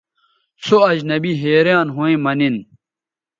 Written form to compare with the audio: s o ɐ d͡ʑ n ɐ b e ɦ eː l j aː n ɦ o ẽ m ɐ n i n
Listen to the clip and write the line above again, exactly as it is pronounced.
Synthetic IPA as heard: s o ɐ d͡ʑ n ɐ b i ɦ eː ɾ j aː n ɦ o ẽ m ɐ n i n

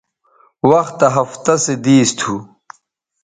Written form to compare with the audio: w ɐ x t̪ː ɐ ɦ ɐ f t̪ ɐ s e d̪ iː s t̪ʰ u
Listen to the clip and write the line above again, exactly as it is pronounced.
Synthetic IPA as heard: w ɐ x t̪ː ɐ ɦ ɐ f t̪ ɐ s e d̪ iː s t̪ʰ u

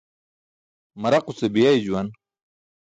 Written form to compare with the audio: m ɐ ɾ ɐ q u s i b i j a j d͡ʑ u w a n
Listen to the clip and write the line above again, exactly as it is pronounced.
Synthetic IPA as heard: m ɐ ɾ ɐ q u s e b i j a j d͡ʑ u w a n

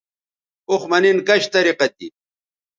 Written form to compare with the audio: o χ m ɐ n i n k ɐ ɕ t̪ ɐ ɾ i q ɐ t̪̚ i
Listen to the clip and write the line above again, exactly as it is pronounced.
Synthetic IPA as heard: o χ m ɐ n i n k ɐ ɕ t̪ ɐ ɾ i q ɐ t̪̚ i

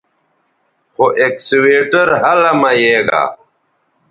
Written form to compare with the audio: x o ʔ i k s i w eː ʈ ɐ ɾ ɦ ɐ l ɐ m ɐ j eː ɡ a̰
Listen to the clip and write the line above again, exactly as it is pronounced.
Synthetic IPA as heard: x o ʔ e k s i w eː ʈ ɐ ɾ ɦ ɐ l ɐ m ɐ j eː ɡ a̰

